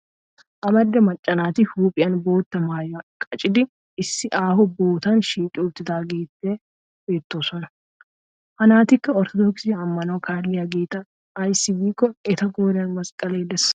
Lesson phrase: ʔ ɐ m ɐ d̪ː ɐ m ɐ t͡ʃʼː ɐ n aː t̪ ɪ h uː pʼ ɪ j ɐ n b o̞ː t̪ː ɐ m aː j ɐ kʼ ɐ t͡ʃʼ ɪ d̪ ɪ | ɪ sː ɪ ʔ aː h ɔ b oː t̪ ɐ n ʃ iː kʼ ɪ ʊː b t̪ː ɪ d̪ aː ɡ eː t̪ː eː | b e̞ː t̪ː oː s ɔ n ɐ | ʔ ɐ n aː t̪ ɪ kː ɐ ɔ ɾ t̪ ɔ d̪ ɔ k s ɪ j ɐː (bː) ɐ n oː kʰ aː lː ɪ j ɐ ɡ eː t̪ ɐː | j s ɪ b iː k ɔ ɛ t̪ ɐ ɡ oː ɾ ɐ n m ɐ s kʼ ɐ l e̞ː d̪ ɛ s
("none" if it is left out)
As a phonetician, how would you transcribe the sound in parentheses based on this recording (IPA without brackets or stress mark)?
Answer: mː